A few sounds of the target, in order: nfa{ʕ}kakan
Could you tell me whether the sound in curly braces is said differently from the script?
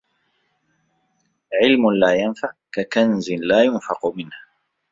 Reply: no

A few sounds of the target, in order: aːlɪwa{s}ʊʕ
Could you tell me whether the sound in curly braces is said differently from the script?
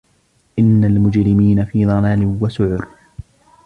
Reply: no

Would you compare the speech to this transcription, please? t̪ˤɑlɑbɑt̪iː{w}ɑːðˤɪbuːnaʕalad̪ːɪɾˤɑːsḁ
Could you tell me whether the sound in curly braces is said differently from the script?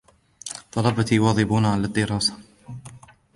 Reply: no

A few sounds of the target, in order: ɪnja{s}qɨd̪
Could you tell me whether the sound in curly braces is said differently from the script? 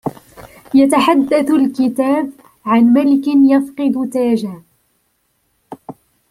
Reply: yes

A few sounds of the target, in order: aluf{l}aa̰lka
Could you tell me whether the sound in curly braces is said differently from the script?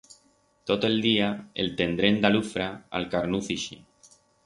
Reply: yes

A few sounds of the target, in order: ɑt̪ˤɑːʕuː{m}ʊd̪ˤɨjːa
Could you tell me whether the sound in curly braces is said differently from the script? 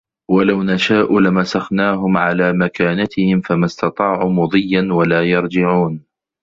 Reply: no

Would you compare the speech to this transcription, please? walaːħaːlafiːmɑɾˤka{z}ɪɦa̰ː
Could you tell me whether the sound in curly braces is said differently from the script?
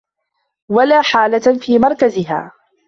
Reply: no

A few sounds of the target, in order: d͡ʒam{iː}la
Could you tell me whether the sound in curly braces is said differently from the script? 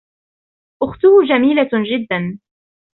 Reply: no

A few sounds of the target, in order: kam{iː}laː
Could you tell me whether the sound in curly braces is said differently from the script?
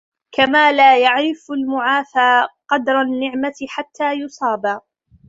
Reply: yes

